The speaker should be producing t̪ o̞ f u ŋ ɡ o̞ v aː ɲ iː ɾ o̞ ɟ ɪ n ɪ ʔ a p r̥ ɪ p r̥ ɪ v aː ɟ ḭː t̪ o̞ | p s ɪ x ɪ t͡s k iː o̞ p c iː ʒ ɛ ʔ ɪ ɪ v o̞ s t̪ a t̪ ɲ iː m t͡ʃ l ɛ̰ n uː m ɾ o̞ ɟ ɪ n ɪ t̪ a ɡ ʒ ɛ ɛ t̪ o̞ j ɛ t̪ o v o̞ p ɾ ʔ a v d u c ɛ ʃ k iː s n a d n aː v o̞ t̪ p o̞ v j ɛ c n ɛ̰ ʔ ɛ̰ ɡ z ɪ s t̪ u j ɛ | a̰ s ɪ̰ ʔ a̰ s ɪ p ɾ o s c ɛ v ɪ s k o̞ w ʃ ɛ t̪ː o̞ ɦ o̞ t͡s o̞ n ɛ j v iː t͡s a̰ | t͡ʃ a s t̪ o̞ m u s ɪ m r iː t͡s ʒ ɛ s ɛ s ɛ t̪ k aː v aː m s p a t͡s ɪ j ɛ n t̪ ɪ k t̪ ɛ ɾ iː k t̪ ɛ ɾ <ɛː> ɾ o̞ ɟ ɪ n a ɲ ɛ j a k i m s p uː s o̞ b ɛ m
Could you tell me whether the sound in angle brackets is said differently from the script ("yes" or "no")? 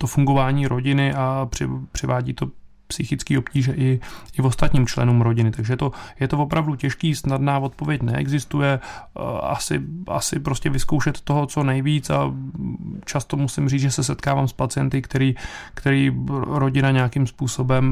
yes